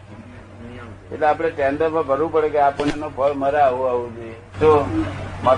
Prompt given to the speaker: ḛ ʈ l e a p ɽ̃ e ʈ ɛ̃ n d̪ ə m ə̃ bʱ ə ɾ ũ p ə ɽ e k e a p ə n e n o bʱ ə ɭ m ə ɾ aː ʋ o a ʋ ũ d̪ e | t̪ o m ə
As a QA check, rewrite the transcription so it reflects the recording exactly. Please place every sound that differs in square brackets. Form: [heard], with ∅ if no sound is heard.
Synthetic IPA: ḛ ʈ l e a p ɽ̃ e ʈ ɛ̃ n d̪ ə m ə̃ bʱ ə ɾ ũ p ə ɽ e k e a p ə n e n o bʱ ə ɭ m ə ɾ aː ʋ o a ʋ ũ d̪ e | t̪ o m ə